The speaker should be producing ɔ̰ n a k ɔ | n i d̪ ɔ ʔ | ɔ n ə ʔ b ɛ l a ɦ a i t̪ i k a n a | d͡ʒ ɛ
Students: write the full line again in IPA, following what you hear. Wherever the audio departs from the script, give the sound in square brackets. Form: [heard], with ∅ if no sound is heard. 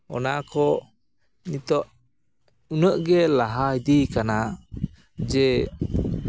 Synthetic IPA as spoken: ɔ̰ n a k ɔ | n i [t̪] ɔ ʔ | [u] n ə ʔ [ɡ] ɛ l a ɦ a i [d̪] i k a n a | d͡ʒ ɛ